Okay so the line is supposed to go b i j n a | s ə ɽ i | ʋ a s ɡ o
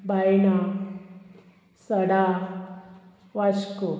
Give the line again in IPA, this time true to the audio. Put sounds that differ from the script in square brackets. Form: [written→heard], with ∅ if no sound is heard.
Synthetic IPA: b [i→a] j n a | s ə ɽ [i→a] | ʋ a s [ɡ→k] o